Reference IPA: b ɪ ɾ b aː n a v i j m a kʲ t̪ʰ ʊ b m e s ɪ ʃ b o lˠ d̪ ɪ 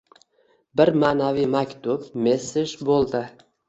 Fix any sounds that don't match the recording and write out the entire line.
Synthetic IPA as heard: b ɪ ɾ m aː n a v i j m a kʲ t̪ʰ ʊ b m e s ɪ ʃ b o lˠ d̪ ɪ